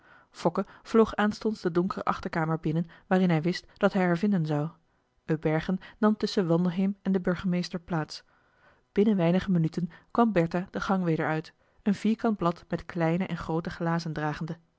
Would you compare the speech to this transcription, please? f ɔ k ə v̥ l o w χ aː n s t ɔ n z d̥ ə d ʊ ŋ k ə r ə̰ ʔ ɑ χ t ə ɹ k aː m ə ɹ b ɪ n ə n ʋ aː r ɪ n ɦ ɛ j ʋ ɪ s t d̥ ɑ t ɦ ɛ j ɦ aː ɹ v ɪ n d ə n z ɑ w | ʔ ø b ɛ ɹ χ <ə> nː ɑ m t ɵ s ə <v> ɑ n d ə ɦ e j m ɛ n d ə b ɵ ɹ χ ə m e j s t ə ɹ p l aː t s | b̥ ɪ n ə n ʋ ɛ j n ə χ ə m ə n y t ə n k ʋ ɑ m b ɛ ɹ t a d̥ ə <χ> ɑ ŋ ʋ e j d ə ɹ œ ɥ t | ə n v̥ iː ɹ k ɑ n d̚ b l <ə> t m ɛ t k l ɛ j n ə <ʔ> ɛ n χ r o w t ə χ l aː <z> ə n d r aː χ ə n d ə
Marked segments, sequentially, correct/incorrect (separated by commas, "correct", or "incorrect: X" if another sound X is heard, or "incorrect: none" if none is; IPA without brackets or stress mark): correct, incorrect: ʋ, correct, incorrect: ɑ, correct, correct